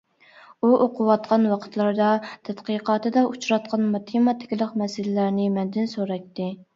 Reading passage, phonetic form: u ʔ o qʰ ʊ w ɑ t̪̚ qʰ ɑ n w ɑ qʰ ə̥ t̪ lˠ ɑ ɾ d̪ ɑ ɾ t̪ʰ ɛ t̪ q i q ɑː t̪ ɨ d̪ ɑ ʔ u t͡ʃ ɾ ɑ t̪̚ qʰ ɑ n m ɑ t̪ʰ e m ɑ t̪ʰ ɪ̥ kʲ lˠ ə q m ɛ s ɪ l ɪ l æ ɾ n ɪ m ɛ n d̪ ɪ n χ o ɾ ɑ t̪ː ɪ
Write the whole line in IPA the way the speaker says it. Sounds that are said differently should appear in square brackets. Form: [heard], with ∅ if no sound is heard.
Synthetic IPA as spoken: u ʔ o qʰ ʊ w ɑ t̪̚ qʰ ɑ n w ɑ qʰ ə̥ t̪ lˠ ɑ ɾ d̪ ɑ [∅] t̪ʰ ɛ t̪ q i q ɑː t̪ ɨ d̪ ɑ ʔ u t͡ʃ ɾ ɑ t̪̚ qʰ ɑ n m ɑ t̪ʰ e m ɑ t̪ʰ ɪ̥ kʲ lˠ ə q m ɛ s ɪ l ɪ l æ ɾ n ɪ m ɛ n d̪ ɪ n [s] o ɾ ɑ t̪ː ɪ